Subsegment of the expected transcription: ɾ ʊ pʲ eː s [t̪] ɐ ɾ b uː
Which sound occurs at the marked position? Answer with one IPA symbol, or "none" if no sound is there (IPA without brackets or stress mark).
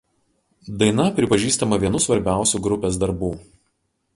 d̪